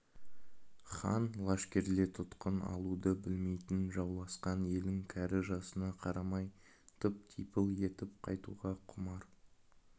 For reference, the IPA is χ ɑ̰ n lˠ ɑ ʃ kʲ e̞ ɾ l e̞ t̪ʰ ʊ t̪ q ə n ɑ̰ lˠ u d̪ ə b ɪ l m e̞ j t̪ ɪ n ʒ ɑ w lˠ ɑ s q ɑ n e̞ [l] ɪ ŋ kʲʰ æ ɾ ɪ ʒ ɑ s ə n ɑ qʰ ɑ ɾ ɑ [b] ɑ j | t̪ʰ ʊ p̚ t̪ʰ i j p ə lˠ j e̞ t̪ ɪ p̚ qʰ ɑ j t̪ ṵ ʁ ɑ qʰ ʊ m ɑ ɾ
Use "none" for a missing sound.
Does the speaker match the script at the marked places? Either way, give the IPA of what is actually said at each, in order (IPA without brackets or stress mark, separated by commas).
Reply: l, m